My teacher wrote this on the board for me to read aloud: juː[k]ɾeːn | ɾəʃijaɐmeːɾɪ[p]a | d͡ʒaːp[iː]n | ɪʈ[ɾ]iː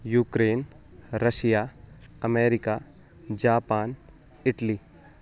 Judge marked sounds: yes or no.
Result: yes, no, no, no

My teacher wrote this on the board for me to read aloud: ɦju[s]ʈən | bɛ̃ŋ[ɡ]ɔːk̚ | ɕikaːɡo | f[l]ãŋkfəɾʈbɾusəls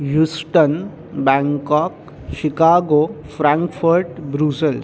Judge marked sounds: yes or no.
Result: yes, no, no

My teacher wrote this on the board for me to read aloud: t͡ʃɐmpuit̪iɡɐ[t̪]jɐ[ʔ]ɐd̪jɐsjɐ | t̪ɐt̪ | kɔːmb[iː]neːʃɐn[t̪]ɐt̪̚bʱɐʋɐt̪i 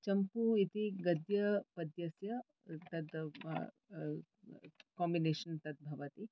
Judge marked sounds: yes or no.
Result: no, no, no, yes

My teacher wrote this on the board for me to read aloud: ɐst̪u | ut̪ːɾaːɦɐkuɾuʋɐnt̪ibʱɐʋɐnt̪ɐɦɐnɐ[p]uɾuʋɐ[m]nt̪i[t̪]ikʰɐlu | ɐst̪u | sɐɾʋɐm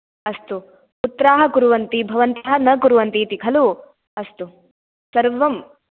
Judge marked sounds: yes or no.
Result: no, no, yes

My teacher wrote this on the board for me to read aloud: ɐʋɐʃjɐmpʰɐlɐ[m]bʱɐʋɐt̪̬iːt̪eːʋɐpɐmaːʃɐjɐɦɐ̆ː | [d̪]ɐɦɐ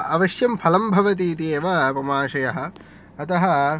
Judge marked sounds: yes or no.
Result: yes, no

